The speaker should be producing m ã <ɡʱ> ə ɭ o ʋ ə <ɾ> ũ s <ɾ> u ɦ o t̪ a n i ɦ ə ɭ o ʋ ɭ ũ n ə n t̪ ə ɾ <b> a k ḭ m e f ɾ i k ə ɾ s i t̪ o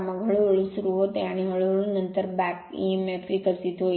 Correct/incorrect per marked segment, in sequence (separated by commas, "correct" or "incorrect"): correct, incorrect, correct, correct